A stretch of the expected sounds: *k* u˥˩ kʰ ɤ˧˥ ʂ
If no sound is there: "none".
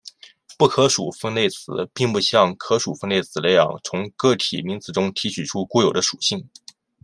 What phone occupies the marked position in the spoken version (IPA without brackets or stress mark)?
p